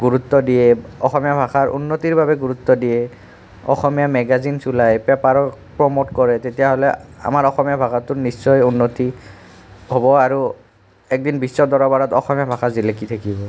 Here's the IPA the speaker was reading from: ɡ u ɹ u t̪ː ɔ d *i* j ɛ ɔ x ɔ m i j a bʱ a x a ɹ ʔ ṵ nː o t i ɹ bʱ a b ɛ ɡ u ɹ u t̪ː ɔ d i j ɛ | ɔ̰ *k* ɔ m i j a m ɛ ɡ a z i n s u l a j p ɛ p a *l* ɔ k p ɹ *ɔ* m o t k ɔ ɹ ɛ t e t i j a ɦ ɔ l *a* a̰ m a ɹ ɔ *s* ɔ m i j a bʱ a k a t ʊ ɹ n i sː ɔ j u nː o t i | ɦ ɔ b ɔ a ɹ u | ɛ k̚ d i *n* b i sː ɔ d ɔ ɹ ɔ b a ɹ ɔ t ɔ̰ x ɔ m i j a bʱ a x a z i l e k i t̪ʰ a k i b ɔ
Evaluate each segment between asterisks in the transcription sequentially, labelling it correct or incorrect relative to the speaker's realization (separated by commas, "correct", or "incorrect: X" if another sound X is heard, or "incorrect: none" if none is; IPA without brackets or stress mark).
correct, incorrect: x, incorrect: ɹ, correct, incorrect: ɛ, incorrect: x, correct